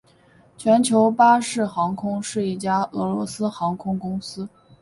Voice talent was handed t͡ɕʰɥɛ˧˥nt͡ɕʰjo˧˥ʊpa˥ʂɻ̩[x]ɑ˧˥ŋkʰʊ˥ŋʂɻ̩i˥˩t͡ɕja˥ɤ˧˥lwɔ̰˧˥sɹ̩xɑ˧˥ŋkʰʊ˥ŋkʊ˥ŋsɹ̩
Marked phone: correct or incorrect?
correct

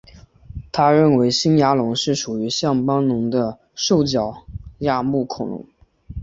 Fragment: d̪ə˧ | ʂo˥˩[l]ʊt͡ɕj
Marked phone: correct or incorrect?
incorrect: none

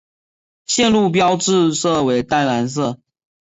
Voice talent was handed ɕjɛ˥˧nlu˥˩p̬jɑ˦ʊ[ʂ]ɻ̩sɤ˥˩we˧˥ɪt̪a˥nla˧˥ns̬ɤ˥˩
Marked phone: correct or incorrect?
incorrect: ʈ͡ʂ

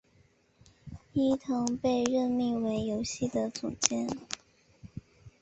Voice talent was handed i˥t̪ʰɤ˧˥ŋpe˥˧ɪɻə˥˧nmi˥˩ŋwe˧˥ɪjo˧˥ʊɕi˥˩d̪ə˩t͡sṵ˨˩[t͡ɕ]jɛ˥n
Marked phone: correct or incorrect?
correct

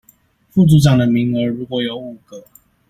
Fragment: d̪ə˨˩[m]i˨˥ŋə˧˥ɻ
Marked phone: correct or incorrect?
correct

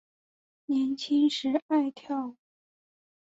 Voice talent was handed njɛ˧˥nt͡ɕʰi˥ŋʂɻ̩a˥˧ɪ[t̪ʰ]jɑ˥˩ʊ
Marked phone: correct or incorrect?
correct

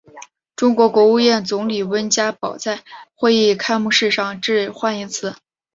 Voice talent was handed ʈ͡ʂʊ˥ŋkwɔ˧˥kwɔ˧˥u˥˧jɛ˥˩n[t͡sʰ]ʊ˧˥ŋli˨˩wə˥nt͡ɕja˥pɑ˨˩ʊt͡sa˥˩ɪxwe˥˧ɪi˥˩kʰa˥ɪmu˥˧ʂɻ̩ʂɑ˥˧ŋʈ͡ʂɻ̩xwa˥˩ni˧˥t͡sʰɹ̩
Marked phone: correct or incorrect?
incorrect: t͡s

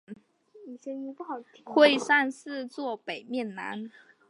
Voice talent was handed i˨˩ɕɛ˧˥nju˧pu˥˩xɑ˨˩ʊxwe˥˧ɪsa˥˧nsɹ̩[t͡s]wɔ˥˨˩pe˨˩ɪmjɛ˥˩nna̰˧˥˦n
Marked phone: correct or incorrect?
correct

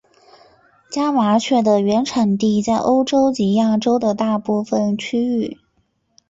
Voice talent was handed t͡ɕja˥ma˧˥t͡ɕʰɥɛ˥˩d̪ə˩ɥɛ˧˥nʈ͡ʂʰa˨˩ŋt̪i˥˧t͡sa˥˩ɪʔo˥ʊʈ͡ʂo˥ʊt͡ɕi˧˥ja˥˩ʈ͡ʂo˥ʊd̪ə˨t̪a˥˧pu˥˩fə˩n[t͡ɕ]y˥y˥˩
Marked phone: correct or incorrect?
incorrect: t͡ɕʰ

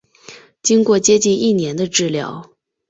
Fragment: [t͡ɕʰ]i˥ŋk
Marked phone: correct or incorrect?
incorrect: t͡ɕ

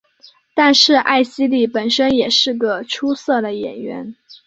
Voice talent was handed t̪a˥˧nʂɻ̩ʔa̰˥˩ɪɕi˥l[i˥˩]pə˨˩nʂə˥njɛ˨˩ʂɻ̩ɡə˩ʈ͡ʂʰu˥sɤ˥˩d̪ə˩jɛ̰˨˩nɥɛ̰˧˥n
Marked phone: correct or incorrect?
correct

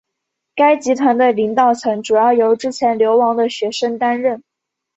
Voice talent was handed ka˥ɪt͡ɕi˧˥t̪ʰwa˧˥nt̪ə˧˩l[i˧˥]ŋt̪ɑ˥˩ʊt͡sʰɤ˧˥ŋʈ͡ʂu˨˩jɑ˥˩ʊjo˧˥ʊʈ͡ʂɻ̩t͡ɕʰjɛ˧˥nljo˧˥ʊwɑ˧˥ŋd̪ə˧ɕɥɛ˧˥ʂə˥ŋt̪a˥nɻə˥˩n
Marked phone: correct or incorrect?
correct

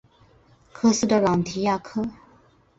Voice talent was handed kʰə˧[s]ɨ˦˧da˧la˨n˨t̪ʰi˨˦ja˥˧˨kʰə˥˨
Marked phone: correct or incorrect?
correct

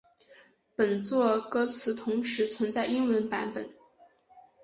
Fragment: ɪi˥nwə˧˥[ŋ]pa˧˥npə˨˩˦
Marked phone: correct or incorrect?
incorrect: n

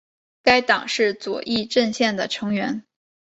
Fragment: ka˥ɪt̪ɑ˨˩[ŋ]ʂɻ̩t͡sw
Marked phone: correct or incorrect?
correct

